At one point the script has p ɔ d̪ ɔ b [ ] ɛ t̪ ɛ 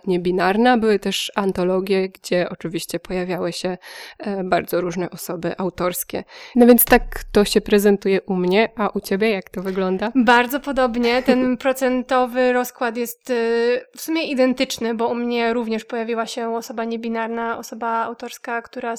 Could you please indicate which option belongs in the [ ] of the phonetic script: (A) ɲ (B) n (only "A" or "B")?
A